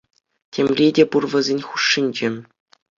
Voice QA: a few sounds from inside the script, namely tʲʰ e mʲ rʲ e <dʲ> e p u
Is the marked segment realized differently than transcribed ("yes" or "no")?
no